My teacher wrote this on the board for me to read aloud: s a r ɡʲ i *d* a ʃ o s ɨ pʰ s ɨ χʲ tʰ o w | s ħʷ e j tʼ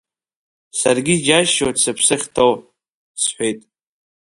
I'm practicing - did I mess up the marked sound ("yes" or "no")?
yes